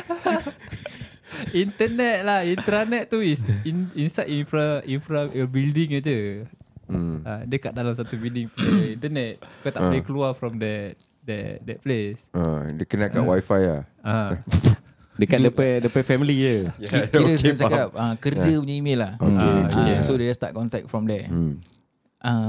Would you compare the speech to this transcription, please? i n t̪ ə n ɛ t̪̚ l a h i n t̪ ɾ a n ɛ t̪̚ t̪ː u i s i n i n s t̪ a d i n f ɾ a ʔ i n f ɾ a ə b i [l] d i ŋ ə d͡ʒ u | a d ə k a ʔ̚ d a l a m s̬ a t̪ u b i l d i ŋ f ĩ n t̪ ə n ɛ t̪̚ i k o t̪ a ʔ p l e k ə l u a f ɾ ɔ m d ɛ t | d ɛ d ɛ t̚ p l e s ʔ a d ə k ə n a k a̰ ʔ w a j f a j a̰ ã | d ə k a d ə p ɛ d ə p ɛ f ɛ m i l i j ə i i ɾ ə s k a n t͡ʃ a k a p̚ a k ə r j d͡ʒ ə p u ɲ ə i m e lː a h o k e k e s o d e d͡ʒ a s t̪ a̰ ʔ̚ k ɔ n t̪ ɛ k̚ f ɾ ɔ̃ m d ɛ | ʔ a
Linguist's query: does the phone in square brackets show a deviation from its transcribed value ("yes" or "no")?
no